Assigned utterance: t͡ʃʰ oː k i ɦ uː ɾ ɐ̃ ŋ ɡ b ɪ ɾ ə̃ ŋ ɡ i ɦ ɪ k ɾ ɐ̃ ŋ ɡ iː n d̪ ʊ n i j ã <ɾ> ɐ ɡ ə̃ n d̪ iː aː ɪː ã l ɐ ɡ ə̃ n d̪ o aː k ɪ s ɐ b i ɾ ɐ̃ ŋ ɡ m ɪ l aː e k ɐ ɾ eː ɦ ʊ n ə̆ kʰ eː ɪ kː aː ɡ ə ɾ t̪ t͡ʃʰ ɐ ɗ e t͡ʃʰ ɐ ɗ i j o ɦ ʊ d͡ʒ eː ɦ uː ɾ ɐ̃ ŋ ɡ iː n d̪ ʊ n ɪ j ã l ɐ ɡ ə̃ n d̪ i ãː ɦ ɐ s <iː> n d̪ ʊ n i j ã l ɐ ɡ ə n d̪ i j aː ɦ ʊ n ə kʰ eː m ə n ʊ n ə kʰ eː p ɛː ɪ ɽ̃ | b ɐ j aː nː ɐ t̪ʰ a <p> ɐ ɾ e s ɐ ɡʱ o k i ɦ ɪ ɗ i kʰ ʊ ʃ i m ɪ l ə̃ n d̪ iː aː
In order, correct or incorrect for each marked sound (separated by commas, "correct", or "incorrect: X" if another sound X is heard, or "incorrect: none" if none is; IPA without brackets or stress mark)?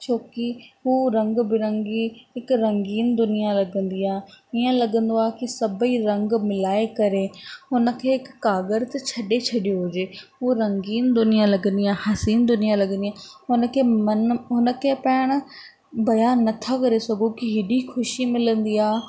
incorrect: l, correct, incorrect: k